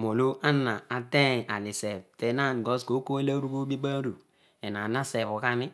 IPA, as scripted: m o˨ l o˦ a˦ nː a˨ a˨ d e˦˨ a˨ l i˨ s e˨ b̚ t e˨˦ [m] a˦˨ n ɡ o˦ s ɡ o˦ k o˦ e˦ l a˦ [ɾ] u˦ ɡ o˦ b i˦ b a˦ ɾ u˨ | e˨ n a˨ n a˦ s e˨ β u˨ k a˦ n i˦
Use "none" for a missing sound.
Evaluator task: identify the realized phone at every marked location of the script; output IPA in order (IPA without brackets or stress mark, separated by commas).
n, ɾ